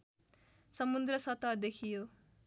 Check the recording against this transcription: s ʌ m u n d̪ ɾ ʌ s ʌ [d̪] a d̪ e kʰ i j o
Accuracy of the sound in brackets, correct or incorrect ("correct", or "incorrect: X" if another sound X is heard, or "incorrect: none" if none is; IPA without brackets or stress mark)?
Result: incorrect: t̪